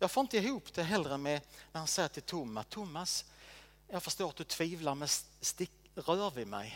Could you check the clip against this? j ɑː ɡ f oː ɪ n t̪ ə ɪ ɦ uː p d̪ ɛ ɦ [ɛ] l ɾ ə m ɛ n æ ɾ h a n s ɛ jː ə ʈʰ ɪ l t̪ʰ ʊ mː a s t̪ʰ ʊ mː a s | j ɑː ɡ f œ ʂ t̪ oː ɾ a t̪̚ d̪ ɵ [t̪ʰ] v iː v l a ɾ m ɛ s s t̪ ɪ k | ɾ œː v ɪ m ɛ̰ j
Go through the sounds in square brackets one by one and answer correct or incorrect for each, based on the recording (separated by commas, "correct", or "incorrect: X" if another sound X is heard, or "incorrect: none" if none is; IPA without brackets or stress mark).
correct, correct